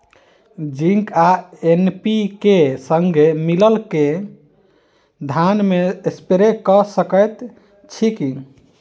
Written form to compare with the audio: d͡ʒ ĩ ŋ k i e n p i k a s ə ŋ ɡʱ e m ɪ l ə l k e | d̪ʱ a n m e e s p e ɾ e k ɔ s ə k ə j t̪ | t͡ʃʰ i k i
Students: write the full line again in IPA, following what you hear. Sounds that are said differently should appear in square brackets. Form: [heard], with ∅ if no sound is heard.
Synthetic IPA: d͡ʒ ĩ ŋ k [a] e n p i k [e] s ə ŋ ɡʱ e m [i] l ə l k e | d̪ʱ a n m e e s p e ɾ e k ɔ s ə k ə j t̪ | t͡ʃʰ i k i